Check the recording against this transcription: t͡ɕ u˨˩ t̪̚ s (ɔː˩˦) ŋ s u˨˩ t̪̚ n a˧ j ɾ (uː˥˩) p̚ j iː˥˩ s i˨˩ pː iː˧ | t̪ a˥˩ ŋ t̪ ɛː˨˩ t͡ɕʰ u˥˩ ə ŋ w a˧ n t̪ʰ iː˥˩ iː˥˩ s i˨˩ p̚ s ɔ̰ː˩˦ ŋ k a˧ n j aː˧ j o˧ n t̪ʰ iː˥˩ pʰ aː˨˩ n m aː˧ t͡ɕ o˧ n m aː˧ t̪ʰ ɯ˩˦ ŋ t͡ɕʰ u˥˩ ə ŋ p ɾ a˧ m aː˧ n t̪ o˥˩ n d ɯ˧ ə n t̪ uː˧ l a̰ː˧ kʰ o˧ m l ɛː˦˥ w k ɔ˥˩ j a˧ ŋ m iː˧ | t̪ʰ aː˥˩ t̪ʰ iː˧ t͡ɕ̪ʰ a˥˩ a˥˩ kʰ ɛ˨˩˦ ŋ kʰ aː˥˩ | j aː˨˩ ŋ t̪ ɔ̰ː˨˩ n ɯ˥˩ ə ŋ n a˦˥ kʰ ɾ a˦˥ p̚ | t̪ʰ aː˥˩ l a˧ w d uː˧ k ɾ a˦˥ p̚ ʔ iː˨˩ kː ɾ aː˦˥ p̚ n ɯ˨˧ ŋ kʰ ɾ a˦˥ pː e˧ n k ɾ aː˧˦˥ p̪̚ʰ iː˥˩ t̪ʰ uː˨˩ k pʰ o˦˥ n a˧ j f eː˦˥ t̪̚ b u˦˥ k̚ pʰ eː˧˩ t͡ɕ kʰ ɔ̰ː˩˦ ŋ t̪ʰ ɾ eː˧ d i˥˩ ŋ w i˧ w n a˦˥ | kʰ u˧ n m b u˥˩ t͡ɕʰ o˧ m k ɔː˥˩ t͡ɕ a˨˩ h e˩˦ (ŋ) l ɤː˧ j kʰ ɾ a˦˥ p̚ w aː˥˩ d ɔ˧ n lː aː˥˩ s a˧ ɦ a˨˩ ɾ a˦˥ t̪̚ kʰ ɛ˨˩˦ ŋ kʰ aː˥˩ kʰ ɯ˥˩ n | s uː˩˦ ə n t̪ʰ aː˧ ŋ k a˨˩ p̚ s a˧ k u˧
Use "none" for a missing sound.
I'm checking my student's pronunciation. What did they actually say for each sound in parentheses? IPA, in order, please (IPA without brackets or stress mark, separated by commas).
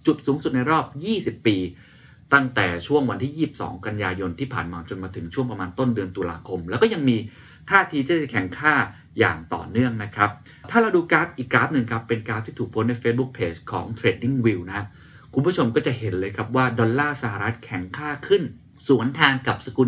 uː˩˦, ɔː˥˩, n